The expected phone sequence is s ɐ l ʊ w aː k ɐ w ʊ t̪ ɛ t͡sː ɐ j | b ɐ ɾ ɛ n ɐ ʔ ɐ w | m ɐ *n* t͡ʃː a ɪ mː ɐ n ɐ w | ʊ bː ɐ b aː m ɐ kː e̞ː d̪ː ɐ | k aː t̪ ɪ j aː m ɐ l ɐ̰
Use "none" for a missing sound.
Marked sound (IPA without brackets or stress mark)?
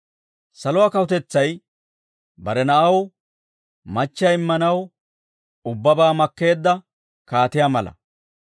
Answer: none